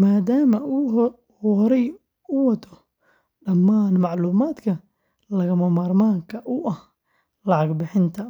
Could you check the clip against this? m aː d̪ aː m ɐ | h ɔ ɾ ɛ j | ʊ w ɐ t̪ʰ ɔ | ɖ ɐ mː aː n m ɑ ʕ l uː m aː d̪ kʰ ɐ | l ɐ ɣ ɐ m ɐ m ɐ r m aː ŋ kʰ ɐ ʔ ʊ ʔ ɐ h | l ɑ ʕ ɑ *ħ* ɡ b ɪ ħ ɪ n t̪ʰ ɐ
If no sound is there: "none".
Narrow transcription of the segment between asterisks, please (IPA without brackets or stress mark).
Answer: none